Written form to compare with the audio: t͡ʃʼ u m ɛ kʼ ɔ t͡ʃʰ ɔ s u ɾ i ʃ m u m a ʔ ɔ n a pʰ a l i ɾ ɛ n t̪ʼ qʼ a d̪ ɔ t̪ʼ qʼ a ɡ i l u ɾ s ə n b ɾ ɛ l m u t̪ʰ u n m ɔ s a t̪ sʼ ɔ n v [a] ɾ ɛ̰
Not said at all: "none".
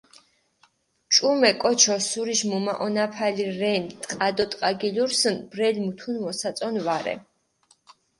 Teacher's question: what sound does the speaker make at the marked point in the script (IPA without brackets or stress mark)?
a